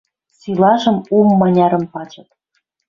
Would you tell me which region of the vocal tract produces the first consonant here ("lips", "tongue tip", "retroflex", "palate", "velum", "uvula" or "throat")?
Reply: tongue tip